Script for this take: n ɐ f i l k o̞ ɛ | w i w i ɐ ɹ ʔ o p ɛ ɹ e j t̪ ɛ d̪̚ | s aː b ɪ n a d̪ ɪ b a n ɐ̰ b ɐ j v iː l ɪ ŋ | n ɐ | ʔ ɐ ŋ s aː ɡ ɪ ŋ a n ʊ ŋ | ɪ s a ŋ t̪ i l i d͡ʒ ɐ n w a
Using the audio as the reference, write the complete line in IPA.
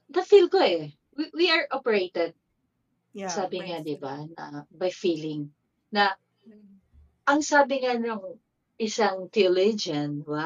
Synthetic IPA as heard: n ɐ f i l k o̞ ɛ | w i w i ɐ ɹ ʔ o p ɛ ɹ e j t̪ ɛ d̪̚ | s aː b ɪ ŋ a d̪ ɪ b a n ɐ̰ b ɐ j f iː l ɪ ŋ | n ɐ | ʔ ɐ ŋ s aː b ɪ ŋ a n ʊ ŋ | ɪ s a ŋ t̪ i l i d͡ʒ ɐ n w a